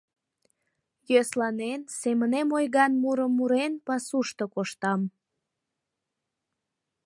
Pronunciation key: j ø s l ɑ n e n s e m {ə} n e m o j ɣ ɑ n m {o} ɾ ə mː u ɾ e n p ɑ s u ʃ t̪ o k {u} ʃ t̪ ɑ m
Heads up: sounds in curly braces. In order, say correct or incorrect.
correct, incorrect: u, incorrect: o

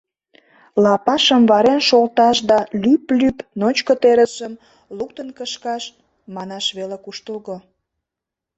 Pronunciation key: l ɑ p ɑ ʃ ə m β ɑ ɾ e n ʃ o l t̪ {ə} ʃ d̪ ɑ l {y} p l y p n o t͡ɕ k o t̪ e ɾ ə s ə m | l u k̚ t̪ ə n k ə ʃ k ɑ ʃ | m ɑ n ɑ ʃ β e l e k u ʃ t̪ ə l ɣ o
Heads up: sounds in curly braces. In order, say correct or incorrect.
incorrect: ɑ, correct

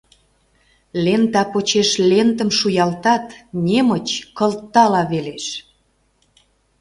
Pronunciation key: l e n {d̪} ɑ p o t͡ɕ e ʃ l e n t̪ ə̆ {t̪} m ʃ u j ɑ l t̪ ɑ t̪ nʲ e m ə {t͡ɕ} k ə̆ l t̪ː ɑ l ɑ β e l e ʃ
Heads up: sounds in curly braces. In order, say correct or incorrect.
incorrect: t̪, incorrect: none, correct

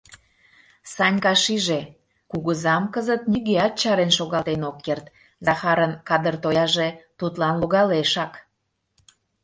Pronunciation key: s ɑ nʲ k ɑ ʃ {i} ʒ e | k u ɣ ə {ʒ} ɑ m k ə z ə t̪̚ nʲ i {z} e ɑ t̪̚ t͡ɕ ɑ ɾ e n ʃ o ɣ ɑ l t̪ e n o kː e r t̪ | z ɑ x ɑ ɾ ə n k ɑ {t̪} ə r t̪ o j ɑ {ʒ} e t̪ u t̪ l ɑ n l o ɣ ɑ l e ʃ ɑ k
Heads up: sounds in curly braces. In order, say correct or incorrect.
correct, incorrect: z, incorrect: ɣ, incorrect: d̪, correct

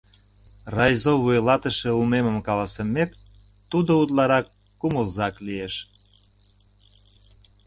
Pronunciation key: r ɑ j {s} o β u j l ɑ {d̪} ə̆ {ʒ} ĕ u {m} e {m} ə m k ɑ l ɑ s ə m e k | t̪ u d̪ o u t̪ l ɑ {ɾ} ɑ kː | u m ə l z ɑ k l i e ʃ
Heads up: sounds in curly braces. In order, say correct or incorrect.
incorrect: z, incorrect: t̪, incorrect: ʃ, correct, correct, correct

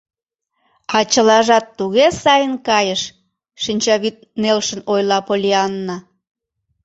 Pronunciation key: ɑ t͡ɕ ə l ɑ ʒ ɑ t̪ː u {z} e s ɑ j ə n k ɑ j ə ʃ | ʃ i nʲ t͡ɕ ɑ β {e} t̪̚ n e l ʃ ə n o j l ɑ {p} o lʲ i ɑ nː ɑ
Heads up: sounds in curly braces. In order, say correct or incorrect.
incorrect: ɣ, incorrect: i, correct

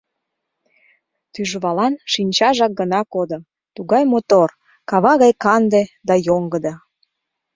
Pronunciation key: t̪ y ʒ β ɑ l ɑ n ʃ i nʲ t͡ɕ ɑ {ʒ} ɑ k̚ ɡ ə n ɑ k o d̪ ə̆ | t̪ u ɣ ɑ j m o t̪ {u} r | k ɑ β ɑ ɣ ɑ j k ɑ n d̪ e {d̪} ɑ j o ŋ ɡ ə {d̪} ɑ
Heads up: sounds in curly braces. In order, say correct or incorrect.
correct, incorrect: o, correct, correct

